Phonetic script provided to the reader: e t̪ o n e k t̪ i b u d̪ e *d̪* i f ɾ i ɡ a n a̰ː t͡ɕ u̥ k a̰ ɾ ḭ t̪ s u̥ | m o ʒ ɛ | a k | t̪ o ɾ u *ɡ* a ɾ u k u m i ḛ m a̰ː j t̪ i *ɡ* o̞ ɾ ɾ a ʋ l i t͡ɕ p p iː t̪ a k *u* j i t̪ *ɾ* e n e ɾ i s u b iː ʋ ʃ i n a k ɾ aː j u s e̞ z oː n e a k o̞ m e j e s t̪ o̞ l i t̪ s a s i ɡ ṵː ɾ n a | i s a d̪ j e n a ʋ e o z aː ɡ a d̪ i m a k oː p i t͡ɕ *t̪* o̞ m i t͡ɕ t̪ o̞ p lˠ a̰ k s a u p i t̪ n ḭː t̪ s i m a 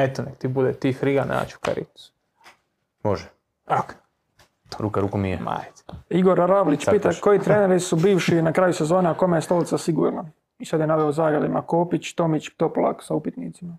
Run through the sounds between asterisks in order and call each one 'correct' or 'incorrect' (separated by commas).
incorrect, incorrect, correct, incorrect, correct, correct